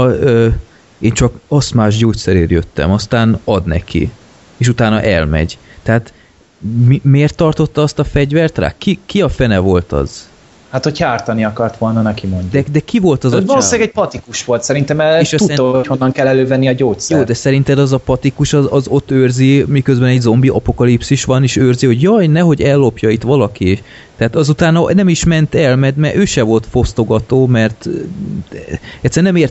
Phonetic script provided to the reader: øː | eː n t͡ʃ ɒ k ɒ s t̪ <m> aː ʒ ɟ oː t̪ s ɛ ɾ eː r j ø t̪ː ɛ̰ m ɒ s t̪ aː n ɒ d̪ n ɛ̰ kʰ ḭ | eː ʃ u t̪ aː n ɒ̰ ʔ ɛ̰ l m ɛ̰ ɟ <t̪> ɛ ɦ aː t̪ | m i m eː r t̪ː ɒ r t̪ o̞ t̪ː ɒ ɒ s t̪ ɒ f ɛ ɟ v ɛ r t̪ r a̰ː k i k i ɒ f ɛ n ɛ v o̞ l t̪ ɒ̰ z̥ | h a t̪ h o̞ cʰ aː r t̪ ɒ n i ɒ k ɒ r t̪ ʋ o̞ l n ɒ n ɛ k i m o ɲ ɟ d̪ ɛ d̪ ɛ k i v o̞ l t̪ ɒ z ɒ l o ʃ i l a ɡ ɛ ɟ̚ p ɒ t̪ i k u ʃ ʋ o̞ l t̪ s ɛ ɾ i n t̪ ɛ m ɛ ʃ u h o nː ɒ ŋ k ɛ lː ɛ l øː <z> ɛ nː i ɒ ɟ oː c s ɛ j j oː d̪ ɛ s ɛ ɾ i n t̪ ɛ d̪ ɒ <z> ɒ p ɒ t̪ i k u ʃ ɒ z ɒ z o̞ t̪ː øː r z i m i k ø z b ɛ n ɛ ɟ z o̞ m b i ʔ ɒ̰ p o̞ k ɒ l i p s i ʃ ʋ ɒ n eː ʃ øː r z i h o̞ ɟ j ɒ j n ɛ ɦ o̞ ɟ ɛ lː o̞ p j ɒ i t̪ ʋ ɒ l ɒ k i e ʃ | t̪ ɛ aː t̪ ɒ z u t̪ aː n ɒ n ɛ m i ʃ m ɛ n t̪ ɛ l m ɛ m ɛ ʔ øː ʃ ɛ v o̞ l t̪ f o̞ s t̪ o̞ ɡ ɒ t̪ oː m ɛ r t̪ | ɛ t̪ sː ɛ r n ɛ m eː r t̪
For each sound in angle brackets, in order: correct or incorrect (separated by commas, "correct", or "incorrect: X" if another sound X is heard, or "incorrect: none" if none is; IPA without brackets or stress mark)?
correct, correct, incorrect: v, correct